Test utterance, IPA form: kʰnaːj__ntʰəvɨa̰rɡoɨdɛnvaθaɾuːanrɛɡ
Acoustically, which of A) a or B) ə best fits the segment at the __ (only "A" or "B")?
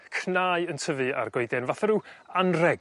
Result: B